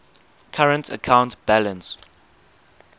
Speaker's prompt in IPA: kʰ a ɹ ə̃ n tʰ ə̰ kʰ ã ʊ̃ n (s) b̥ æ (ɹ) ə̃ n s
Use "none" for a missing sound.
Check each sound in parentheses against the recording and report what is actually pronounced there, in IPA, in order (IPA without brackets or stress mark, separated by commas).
t, l